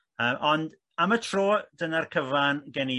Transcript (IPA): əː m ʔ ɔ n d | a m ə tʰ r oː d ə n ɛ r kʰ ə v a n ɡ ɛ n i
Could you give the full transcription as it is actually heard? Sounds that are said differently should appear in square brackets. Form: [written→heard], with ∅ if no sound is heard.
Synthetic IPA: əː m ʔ ɔ n d | a m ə tʰ r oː d ə n [ɛ→a] r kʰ ə v a n ɡ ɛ n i

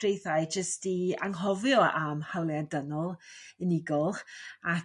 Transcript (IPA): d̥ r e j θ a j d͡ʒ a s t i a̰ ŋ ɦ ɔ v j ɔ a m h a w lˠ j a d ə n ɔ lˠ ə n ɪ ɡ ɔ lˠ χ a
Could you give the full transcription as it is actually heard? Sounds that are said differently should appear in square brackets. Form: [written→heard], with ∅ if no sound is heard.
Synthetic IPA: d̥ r e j θ a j d͡ʒ [a→ə] s t i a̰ ŋ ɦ ɔ v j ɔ a m h a w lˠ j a d ə n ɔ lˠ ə n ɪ ɡ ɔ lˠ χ a

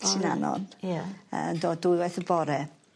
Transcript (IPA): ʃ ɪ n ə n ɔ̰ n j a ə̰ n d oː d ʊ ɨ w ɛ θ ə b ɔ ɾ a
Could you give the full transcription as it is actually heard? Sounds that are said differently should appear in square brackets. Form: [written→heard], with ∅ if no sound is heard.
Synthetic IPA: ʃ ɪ n [ə→a] n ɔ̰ n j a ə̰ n d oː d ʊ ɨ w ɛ θ ə b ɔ ɾ [a→ɛ]

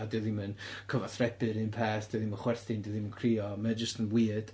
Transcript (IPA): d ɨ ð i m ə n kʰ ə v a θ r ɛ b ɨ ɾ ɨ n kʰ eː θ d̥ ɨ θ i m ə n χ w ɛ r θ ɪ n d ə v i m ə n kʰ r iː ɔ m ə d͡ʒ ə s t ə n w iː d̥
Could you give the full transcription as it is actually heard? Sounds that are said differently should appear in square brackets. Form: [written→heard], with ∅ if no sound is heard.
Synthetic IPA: d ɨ ð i m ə n kʰ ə v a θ r ɛ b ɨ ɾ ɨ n [kʰ→pʰ] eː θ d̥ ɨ [θ→ð] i m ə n χ w ɛ r θ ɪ n d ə [v→ð] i m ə n kʰ r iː ɔ m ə d͡ʒ ə s t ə n w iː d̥

